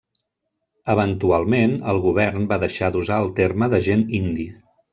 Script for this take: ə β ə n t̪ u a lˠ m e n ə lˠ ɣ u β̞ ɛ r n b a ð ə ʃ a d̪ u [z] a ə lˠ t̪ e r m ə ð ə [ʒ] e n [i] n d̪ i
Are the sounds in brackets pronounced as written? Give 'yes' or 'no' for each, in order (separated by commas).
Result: yes, yes, yes